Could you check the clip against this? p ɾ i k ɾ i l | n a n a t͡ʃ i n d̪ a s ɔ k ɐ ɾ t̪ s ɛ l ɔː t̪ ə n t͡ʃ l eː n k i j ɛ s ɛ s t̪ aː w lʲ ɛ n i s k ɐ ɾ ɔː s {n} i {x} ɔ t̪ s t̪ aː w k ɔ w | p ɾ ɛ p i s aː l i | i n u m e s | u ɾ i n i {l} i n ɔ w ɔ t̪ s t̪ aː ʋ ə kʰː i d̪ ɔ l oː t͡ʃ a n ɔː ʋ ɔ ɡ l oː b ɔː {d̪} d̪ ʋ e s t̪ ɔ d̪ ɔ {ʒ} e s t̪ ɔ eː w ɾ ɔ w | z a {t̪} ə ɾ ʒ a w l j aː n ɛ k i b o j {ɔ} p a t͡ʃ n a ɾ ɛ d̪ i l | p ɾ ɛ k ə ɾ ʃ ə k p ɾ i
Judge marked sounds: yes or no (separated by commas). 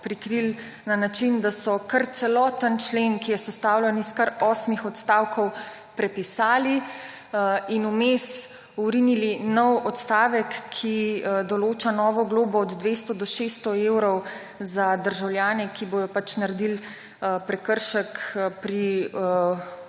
no, yes, yes, yes, no, no, yes